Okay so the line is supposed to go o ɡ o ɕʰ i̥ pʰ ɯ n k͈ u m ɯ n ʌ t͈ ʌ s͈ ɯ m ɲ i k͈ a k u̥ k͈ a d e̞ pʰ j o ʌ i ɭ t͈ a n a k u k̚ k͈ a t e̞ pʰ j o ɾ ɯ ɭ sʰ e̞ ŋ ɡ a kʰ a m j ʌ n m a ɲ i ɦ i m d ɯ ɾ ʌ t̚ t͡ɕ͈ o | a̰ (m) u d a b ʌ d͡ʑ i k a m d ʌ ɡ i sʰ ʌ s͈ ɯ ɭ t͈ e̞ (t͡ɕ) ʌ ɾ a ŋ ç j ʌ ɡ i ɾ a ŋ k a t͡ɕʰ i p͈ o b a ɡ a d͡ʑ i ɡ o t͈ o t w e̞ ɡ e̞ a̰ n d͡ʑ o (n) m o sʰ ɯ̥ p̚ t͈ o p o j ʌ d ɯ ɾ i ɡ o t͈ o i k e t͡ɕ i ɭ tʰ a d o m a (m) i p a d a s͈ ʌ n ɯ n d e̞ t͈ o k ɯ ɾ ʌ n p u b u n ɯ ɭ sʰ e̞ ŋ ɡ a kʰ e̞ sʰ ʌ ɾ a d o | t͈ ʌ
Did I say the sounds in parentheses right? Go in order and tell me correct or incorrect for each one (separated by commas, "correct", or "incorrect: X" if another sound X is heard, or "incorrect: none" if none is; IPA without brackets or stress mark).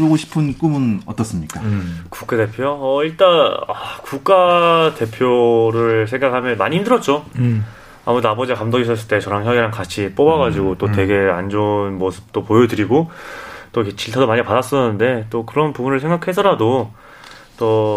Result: correct, correct, correct, incorrect: ɲ